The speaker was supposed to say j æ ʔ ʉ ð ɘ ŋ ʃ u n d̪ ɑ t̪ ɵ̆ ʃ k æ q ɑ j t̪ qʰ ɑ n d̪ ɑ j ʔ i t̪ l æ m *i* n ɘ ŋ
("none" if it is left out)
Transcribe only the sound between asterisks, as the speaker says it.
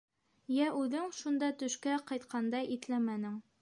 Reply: æ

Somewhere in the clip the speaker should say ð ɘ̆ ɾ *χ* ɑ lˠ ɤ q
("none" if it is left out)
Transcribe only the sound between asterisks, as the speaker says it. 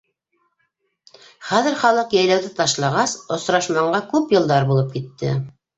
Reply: χ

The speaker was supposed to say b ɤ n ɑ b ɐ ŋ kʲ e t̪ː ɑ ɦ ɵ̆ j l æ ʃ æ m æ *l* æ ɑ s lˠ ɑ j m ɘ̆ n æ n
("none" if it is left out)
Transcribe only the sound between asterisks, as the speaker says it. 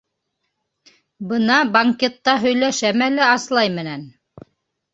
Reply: l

